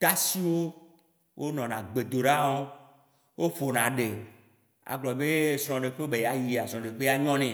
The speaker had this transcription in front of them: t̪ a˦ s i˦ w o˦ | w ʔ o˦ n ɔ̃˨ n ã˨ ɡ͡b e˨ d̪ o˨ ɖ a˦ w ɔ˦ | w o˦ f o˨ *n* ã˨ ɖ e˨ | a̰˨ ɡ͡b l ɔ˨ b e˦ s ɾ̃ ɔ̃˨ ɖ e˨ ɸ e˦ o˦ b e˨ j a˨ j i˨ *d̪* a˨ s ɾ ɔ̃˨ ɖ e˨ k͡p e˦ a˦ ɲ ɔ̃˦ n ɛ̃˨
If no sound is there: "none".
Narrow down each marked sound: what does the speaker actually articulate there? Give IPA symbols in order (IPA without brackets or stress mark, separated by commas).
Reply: n, none